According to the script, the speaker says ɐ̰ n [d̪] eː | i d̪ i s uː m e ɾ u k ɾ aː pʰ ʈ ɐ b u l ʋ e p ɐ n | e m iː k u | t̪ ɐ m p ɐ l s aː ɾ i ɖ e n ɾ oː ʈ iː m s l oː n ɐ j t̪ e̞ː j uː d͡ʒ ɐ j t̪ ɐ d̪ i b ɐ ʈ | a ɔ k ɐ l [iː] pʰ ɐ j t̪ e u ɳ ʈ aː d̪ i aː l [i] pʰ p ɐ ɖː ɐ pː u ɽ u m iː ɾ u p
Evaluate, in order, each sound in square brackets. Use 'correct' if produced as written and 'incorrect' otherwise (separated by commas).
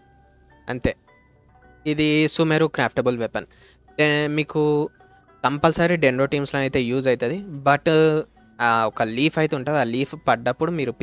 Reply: incorrect, correct, incorrect